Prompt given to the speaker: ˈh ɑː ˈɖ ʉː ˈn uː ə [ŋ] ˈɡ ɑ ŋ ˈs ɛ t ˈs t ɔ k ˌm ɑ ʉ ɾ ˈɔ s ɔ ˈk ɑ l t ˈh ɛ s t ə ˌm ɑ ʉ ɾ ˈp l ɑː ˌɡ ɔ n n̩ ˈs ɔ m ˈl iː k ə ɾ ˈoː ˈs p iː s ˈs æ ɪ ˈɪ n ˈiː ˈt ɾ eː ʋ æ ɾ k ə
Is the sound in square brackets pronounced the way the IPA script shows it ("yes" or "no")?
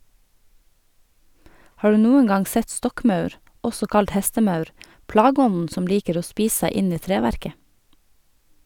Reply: yes